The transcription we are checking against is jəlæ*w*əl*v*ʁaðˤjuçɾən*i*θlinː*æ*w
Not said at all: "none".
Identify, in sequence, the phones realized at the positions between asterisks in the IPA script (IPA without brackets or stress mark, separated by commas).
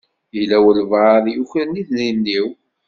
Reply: w, v, i, i